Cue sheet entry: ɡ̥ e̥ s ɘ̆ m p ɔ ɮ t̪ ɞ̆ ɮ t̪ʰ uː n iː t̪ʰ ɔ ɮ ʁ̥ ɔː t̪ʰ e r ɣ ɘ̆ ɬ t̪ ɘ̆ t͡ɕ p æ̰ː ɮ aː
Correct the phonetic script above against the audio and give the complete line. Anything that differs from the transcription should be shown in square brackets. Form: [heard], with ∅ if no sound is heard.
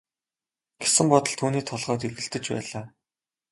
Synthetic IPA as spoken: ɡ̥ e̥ s ɘ̆ m p ɔ [∅] t̪ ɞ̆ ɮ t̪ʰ uː n iː t̪ʰ ɔ ɮ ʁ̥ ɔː [t̪] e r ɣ ɘ̆ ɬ t̪ ɘ̆ t͡ɕ p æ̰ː ɮ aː